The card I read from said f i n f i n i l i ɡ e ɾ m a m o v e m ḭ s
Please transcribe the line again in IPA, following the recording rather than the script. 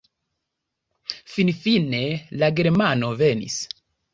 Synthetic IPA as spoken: f i n f i n e l a ɡ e ɾ m a n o v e n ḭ s